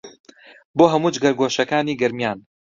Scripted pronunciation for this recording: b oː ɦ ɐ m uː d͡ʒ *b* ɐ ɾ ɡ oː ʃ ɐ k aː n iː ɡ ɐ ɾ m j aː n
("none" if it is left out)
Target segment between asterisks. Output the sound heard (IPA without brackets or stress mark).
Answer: ɡ